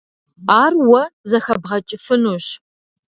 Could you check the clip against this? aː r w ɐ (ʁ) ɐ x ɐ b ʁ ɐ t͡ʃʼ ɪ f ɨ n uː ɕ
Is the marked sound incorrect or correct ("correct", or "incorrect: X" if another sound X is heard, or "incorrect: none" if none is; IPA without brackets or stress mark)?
incorrect: z